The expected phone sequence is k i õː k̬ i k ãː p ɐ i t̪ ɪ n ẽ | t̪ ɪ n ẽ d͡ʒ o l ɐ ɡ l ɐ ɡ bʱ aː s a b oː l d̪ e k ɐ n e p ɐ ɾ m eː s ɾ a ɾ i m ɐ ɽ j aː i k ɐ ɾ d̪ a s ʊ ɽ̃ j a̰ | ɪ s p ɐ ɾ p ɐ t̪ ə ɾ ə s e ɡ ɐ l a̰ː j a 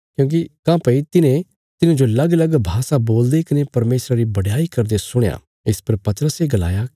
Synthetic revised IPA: k j õː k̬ i k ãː p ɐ i t̪ ɪ n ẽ | t̪ ɪ n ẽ d͡ʒ o l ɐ ɡ l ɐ ɡ bʱ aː s a b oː l d̪ e k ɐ n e p ɐ ɾ m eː s ɾ a ɾ i b ɐ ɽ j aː i k ɐ ɾ d̪ e s ʊ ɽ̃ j a̰ | ɪ s p ɐ ɾ p ɐ t̪ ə ɾ ə s e ɡ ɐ l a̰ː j a